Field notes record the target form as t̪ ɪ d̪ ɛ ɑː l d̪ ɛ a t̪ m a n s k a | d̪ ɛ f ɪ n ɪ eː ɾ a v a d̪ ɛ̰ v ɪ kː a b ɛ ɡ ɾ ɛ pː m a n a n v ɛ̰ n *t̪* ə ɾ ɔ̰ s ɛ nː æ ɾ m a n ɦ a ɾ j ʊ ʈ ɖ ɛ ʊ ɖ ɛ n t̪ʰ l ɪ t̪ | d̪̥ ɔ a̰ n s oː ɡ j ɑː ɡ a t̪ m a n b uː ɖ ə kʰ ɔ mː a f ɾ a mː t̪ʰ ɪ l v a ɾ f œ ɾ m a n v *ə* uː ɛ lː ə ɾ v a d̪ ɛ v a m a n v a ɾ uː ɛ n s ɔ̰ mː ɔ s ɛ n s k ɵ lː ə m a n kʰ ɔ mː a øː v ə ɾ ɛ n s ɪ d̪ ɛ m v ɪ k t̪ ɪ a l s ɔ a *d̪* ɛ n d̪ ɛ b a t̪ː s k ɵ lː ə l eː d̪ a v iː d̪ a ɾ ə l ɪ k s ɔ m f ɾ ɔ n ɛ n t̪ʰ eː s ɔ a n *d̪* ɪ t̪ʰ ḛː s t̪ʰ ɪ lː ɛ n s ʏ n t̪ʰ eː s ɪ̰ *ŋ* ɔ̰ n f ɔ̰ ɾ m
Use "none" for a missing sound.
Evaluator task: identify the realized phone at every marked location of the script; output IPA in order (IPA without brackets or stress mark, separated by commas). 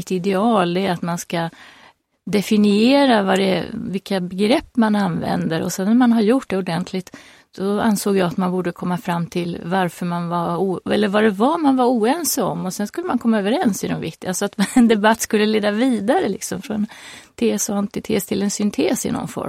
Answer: d̪, a, t̪, t̪, n